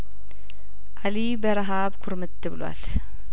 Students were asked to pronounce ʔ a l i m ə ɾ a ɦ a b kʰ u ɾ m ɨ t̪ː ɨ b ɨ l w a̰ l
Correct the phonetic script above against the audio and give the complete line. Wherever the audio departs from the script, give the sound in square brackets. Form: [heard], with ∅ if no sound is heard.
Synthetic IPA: ʔ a l i [b] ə ɾ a ɦ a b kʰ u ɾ m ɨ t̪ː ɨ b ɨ l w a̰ l